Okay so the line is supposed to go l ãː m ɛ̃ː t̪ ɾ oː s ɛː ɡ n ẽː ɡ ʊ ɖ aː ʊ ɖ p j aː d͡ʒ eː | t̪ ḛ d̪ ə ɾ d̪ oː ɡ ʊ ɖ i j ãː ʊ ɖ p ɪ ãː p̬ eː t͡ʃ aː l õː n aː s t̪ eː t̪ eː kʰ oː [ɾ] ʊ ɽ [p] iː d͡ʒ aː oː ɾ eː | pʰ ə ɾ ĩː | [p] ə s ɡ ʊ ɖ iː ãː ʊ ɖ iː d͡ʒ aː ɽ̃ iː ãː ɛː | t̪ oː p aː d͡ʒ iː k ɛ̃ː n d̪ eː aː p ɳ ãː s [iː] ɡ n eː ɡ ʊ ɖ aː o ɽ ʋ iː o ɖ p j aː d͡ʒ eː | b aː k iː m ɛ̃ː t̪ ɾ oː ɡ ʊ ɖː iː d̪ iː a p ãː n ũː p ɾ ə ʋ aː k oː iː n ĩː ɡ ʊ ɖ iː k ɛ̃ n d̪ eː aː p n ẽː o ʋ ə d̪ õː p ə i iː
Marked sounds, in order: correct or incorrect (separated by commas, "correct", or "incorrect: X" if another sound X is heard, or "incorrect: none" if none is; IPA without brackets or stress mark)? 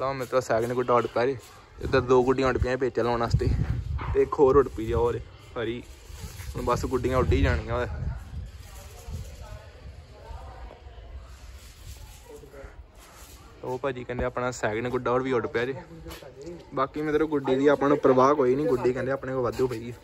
correct, correct, incorrect: b, incorrect: ɛː